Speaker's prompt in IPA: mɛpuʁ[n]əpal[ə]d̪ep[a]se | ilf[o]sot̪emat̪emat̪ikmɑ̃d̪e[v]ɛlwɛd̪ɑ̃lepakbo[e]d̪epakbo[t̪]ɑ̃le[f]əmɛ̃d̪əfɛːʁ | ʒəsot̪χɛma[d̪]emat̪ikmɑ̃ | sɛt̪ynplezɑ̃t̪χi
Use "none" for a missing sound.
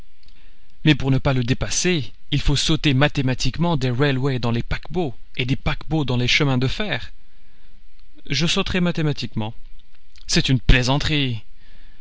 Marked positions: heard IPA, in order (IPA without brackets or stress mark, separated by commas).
n, ə, a, o, ʁ, e, d̪, ʃ, t̪